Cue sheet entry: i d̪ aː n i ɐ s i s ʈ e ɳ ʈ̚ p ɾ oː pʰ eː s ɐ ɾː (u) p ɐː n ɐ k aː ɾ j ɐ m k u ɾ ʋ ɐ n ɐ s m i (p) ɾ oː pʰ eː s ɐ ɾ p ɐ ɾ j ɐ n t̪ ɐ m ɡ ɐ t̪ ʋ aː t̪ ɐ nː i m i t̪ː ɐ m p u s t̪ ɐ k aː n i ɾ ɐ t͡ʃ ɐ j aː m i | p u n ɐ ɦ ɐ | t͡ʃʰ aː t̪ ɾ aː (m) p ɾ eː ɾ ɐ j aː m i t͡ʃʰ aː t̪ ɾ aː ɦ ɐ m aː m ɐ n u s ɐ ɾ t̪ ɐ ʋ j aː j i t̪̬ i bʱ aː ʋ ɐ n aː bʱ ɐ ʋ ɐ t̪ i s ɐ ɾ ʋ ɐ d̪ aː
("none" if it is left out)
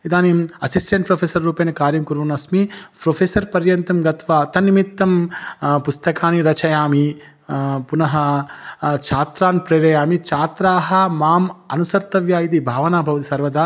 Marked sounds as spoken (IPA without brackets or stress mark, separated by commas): uː, p, n